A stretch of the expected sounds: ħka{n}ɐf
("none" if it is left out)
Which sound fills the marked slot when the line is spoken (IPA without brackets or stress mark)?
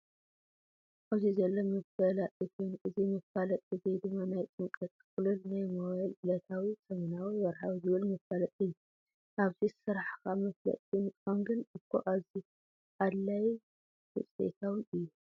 m